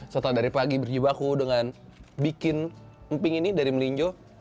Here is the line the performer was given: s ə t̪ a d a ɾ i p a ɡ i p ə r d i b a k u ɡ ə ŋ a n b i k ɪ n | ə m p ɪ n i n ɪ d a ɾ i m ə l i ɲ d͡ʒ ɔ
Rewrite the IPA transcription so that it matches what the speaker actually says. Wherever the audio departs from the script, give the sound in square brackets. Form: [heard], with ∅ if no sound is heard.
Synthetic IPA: s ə t̪ a d a ɾ i p a ɡ i [b] ə r [d͡ʒ] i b a k u [d] ə ŋ a n b i k ɪ n | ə m p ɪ [ŋ] i n [i] d a ɾ i m ə l i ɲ d͡ʒ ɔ